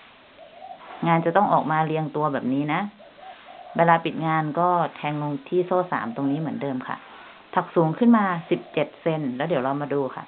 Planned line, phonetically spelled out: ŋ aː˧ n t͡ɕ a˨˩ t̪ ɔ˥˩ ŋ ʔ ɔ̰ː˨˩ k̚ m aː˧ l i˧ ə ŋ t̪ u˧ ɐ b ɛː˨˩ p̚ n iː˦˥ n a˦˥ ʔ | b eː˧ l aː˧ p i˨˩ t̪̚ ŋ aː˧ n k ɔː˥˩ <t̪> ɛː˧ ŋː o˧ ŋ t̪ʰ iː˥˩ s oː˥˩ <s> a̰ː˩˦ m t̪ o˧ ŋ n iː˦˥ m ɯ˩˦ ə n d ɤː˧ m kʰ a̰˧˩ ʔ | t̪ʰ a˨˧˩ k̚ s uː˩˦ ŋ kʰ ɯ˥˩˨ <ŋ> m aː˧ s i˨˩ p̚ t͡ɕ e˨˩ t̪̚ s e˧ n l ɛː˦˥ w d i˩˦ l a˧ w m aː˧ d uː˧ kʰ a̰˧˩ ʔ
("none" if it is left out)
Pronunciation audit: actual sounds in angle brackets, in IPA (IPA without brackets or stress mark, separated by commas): t̪ʰ, s, n